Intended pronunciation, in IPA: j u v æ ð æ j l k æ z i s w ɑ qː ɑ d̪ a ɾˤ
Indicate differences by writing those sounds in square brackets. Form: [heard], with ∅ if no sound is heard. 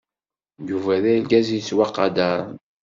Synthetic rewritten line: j u v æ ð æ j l [ɡ] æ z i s w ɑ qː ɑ d̪ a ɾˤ